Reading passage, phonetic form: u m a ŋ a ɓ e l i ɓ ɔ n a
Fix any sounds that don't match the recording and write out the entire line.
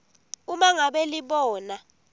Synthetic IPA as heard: u m a ŋ a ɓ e l i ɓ ɔː n a